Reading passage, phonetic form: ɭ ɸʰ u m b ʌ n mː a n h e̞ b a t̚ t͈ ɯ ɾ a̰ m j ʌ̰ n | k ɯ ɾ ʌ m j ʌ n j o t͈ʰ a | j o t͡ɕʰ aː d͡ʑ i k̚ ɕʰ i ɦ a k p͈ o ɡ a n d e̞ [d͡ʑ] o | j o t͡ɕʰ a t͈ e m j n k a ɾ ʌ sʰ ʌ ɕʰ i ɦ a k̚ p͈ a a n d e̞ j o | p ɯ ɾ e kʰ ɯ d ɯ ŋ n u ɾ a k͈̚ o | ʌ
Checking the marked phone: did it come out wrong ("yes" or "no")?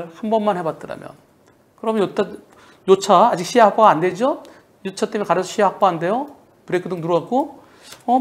no